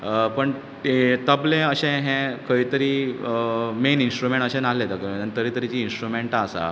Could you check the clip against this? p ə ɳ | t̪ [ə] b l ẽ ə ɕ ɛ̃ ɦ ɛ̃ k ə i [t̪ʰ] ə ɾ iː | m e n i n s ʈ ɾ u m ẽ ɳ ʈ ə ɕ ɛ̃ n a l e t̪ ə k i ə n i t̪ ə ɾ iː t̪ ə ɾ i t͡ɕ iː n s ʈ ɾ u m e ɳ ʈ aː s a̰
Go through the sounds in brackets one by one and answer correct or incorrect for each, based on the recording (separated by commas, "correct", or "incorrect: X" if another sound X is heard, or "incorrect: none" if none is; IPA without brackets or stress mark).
correct, incorrect: t̪